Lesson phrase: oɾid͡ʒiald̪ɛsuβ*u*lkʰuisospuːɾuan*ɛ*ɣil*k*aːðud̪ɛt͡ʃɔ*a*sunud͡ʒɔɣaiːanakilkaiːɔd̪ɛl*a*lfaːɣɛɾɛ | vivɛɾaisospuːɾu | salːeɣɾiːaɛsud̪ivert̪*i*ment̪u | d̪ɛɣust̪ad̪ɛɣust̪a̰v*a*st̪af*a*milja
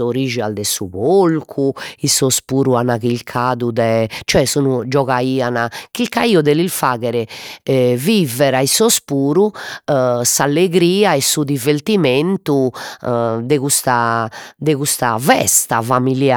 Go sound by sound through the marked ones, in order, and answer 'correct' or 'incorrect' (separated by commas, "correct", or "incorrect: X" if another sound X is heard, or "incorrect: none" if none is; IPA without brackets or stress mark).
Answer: incorrect: o, incorrect: a, incorrect: kʰ, incorrect: ɛ, incorrect: i, correct, incorrect: ɛ, correct